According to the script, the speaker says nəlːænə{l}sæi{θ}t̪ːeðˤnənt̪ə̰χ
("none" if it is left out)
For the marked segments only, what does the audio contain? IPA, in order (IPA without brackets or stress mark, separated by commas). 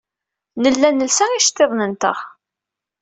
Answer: l, ʃ